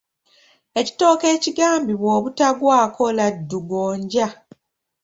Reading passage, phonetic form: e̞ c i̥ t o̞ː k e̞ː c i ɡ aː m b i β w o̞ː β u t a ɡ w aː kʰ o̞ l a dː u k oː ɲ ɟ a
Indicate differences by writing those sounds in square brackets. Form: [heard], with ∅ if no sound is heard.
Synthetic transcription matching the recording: e̞ c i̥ t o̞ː k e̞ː c i ɡ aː m b i β w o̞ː β u t a ɡ w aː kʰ o̞ l a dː u [ɡ] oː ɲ ɟ a